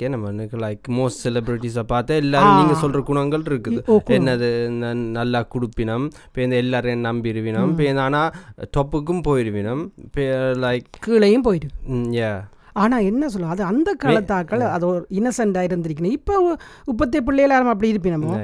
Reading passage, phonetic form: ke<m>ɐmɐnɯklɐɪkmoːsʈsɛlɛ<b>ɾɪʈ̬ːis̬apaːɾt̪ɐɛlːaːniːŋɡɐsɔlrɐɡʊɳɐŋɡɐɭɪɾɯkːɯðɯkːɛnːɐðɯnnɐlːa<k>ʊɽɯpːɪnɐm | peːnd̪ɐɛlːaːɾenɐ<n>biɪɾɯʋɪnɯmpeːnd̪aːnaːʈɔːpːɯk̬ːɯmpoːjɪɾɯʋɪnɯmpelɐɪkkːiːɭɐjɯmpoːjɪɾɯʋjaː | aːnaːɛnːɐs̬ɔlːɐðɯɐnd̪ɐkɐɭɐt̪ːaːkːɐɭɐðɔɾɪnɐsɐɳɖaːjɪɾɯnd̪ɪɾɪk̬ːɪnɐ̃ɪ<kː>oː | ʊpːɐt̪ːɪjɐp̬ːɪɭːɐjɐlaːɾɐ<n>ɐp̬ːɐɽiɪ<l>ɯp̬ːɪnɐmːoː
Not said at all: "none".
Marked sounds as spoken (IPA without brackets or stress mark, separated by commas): n, b, k, m, pː, m, ɾ